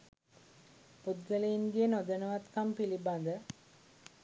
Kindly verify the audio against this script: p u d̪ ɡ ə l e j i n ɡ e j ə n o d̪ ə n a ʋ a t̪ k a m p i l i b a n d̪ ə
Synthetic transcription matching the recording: p u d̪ ɡ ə l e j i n ɡ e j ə n o d̪ ə n ə ʋ a t̪ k a m p i l i b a n d̪ ə